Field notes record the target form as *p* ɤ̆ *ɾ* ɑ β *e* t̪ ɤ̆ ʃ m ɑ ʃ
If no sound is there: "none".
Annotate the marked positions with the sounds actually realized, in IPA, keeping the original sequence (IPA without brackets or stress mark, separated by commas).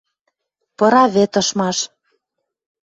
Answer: p, ɾ, e